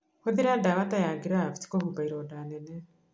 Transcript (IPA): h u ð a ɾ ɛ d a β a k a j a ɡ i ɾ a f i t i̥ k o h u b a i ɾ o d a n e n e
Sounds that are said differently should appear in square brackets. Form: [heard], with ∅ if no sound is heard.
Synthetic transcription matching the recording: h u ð [i] ɾ [a] d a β a [t] a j a ɡ i ɾ a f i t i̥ k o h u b a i ɾ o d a n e n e